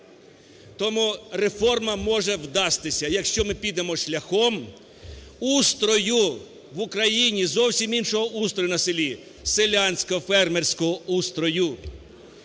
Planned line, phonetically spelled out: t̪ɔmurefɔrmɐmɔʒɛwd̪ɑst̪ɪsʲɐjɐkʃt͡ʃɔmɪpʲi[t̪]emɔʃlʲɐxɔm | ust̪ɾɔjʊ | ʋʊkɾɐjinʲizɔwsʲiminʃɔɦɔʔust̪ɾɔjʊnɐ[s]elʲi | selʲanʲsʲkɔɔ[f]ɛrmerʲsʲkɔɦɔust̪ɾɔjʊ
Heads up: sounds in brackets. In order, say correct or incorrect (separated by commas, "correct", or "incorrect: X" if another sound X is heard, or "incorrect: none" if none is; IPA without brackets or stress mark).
incorrect: d̪, correct, correct